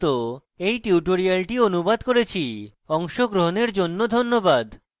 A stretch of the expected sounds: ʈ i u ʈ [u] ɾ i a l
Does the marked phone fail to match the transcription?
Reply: yes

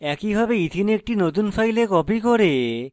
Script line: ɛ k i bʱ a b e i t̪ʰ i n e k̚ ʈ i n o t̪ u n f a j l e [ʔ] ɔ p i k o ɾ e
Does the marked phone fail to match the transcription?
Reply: yes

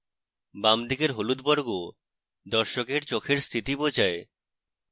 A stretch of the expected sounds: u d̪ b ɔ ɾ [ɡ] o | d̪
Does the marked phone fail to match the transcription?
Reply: no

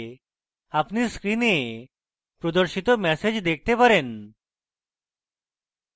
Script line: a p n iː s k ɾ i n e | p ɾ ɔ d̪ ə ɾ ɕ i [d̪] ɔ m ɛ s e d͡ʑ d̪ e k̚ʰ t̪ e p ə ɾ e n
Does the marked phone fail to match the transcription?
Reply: yes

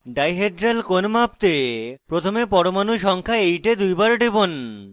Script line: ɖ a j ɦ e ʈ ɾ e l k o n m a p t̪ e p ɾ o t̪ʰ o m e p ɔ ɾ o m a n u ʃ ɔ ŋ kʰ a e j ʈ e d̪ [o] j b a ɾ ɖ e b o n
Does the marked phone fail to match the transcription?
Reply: yes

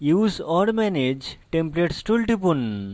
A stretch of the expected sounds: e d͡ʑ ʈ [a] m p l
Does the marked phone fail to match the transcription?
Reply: yes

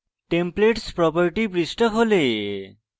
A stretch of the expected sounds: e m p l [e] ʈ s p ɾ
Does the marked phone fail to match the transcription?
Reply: no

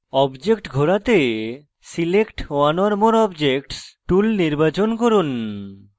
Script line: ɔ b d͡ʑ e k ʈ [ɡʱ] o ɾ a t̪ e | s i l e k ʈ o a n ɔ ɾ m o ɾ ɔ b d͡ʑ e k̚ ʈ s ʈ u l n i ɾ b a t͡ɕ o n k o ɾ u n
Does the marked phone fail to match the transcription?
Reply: no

